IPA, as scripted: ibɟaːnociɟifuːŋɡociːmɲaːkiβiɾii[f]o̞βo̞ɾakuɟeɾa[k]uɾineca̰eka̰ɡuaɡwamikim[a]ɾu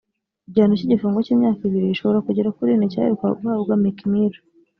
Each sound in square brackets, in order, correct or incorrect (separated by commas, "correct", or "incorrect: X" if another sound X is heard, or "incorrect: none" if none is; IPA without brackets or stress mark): incorrect: ʃ, correct, incorrect: i